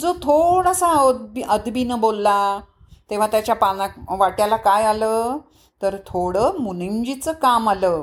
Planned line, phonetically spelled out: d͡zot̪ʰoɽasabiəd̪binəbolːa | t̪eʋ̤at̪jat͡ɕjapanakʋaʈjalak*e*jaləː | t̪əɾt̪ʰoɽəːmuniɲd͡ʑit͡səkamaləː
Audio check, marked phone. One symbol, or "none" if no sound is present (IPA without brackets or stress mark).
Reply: a